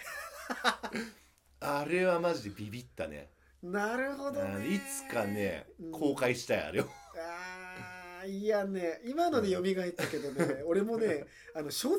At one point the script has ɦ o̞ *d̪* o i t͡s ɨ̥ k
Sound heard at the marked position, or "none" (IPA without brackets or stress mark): d̪